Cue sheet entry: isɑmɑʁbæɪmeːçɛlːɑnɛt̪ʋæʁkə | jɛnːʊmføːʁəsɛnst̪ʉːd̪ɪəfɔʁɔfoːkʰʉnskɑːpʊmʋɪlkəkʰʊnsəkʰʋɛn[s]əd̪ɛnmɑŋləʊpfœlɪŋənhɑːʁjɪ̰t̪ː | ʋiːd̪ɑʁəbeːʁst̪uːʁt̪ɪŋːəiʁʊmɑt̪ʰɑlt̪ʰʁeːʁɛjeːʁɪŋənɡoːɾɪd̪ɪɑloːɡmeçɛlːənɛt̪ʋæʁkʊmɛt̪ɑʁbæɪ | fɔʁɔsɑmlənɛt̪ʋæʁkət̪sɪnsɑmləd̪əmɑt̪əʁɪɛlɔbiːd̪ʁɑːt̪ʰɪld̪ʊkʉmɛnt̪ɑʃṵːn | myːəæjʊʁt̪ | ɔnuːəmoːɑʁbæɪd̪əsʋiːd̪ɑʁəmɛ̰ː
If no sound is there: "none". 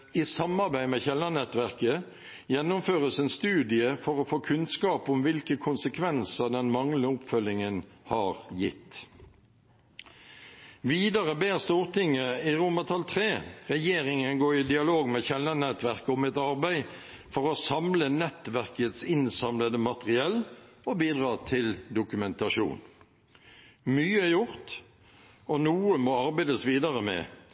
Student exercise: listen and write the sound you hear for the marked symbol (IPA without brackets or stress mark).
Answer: s